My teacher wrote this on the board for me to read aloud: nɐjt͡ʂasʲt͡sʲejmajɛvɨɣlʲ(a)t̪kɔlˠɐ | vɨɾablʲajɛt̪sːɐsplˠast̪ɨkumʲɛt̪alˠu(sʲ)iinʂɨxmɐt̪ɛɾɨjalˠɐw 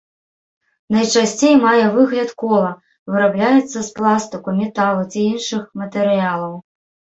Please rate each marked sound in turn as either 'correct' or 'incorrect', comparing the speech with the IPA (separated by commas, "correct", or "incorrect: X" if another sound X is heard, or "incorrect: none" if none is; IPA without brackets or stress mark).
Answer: incorrect: ɐ, incorrect: t͡sʲ